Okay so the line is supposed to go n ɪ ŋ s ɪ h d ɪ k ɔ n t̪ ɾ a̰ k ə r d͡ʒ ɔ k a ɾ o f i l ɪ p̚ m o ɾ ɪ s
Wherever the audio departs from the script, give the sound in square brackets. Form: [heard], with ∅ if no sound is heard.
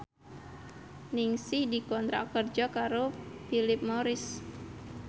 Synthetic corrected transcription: n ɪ ŋ s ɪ h d [i] k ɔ n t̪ ɾ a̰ k ə r d͡ʒ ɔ k a ɾ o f i l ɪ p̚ m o ɾ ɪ s